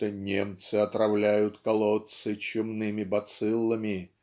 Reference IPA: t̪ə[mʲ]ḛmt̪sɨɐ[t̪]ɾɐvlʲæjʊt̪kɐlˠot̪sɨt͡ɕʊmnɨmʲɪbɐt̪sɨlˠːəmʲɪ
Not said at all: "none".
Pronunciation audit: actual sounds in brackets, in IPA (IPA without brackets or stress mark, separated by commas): nʲ, t̪